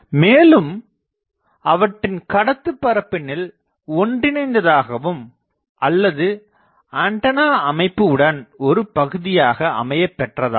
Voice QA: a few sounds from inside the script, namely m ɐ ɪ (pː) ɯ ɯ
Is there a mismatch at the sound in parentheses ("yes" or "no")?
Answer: no